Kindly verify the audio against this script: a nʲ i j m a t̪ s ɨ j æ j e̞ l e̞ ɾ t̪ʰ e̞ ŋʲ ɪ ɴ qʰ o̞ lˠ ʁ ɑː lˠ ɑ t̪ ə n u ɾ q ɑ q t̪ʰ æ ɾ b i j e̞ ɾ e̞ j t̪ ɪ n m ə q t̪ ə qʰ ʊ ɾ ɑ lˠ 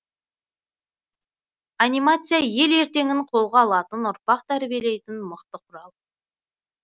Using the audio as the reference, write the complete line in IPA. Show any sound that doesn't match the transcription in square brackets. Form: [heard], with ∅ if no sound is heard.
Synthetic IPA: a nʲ i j m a t̪ s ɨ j [a] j e̞ l e̞ ɾ [t̪] e̞ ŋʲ ɪ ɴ qʰ o̞ lˠ ʁ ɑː lˠ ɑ t̪ ə n [ʊ] ɾ [p] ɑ q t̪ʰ æ ɾ b i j e̞ [l] e̞ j t̪ ɪ n m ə q t̪ ə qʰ ʊ ɾ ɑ lˠ

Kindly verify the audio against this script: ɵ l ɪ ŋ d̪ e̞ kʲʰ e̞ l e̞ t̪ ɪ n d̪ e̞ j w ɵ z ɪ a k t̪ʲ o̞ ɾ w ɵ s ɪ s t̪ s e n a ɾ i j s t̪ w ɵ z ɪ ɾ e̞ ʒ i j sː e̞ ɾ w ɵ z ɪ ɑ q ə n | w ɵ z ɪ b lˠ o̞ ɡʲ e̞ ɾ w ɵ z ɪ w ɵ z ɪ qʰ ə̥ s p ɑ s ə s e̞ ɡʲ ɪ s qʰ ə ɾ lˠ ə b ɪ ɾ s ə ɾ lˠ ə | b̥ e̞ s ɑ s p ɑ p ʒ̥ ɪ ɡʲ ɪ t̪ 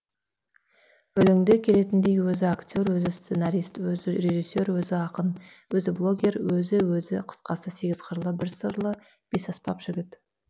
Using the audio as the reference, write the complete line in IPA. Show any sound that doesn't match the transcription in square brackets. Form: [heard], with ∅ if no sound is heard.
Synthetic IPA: ɵ l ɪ ŋ d̪ e̞ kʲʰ e̞ l e̞ t̪ ɪ n d̪ e̞ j w ɵ z ɪ a k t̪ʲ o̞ ɾ w ɵ [z] ɪ s t̪ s e n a ɾ i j s t̪ w ɵ z ɪ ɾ e̞ ʒ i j sː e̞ ɾ w ɵ z ɪ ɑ q ə n | w ɵ z ɪ b lˠ o̞ ɡʲ e̞ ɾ w ɵ z ɪ w ɵ z ɪ qʰ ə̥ s [q] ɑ s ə s e̞ ɡʲ ɪ [z] qʰ ə ɾ lˠ ə b ɪ ɾ s ə ɾ lˠ ə | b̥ e̞ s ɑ s p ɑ p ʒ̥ ɪ ɡʲ ɪ t̪

